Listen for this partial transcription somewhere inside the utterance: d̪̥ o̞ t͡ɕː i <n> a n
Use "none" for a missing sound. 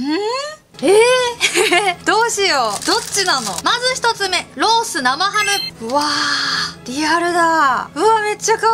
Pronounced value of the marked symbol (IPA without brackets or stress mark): n